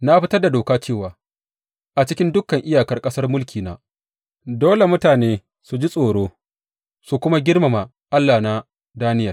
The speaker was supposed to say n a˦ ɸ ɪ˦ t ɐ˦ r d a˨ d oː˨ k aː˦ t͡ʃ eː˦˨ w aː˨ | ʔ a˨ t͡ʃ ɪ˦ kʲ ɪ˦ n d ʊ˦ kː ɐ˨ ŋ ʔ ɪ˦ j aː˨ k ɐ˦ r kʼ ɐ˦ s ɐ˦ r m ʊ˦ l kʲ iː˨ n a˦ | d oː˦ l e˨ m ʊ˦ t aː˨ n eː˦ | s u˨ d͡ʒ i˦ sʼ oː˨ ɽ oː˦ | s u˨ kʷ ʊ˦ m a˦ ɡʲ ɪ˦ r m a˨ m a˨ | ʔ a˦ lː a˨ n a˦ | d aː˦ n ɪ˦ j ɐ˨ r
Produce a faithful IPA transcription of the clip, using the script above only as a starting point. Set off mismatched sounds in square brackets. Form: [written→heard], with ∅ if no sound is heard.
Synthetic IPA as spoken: n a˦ ɸ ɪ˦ t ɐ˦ r d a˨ d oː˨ k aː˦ t͡ʃ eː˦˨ w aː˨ | ʔ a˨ t͡ʃ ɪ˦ kʲ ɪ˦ n d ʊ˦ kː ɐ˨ ŋ ʔ ɪ˦ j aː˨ k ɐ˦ r kʼ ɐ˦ s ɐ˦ r m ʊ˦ l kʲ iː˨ n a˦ | d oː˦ l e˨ m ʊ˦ t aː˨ n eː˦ | s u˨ d͡ʒ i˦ sʼ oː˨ ɽ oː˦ | s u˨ kʷ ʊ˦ m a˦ ɡʲ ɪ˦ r m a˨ m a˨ | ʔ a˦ lː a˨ n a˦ | d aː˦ n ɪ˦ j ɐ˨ r